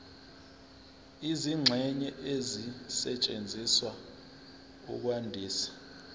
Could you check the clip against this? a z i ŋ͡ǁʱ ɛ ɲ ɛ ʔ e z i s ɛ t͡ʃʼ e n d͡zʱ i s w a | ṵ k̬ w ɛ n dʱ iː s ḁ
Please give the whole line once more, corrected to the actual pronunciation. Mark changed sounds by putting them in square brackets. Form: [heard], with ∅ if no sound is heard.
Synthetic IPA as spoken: [i] z i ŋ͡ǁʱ ɛ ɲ ɛ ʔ e z i s ɛ t͡ʃʼ e n d͡zʱ i s w a | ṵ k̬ w [a] n dʱ iː s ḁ